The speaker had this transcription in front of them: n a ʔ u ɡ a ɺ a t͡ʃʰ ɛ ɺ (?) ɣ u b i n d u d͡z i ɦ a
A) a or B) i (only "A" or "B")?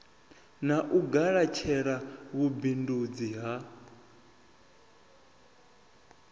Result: A